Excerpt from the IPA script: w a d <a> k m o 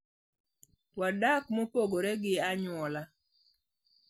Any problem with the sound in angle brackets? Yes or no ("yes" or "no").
no